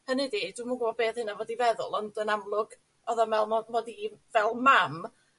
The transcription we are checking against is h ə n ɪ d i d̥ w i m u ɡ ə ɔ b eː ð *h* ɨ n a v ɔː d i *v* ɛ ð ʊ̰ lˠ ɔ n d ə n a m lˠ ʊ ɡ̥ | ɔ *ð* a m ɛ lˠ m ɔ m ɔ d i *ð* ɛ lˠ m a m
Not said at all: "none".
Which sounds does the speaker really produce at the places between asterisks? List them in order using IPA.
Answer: h, v, ð, v

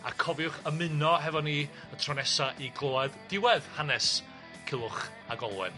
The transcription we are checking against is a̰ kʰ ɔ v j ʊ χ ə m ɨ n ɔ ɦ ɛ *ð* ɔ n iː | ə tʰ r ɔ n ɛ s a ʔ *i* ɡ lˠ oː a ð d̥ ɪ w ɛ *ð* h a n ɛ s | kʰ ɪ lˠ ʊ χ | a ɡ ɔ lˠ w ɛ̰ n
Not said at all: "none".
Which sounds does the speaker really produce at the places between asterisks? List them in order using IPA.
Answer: v, i, ð

